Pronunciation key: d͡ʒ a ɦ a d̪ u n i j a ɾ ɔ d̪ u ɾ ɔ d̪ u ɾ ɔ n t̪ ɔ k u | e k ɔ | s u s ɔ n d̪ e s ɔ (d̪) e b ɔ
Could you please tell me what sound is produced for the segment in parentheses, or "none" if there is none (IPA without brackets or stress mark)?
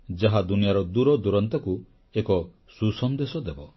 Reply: d̪